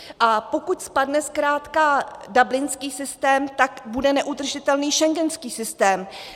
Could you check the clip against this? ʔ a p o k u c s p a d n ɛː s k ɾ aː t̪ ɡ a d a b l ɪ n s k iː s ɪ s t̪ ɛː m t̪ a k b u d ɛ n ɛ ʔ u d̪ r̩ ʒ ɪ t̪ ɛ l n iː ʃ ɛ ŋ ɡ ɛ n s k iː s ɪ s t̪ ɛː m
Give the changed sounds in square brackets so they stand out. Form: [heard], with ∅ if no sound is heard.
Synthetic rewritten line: ʔ a p o k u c s p a d n [ɛ] s k ɾ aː t̪ [k] a d a b l ɪ n s k iː s ɪ s t̪ ɛː m t̪ a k b u d ɛ n ɛ ʔ u d̪ r̩ ʒ ɪ t̪ ɛ l n iː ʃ ɛ ŋ ɡ ɛ n s k iː s ɪ s t̪ ɛː m